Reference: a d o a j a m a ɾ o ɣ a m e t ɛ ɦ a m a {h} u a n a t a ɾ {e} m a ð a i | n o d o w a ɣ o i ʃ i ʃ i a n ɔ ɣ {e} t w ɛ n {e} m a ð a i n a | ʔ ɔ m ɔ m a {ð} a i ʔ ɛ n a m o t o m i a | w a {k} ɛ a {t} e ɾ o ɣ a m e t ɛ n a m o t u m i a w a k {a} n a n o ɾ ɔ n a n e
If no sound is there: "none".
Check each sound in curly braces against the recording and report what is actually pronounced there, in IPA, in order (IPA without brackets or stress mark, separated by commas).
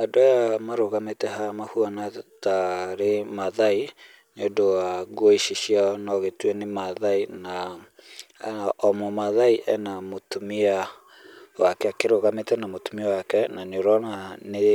h, e, e, e, ð, k, k, ɛ